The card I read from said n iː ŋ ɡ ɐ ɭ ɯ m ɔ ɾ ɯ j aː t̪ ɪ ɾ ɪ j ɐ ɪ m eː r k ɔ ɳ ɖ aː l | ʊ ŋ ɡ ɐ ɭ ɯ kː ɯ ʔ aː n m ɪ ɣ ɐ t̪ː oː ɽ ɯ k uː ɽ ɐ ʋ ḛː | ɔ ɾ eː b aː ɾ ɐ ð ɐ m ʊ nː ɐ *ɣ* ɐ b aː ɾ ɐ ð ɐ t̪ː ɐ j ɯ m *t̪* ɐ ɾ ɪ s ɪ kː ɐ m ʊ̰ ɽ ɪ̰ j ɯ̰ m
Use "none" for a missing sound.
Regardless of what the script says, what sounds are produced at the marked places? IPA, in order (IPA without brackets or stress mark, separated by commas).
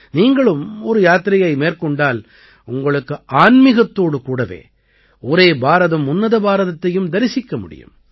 ð, d̪